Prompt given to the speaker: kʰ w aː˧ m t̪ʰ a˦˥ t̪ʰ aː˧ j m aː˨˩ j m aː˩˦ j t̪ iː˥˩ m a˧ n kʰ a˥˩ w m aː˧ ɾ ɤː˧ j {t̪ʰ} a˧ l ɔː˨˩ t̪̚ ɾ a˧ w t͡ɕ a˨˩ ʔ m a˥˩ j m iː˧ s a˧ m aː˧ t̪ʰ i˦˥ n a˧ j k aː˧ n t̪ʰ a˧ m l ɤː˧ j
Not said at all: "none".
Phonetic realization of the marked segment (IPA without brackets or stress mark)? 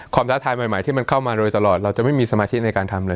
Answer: t̪